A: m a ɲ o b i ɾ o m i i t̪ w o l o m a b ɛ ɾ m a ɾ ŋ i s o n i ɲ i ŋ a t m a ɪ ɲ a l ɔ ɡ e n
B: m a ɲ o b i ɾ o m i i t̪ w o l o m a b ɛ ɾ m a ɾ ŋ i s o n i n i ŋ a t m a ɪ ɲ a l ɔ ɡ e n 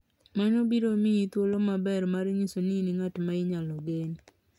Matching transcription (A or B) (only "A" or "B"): B